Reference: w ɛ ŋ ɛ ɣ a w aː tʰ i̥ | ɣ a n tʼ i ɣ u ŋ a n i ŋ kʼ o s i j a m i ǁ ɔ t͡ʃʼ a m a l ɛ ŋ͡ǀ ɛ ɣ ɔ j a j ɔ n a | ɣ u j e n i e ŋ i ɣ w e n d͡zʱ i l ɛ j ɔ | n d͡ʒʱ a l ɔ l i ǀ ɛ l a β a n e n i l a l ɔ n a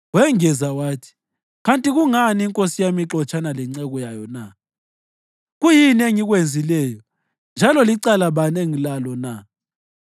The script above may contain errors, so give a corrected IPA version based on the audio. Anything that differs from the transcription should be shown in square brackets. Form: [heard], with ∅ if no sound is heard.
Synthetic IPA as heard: w ɛ ŋ ɛ [z] a w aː tʰ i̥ | ɣ a n tʼ i ɣ u ŋ a n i ŋ kʼ o s i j a m i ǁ ɔ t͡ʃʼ a [n] a l ɛ ŋ͡ǀ ɛ ɣ ɔ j a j ɔ n a | ɣ u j [i] n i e ŋ i ɣ w e n d͡zʱ i l ɛ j ɔ | n d͡ʒʱ a l ɔ l i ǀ [a] l a β a n e [ŋ] i l a l ɔ n a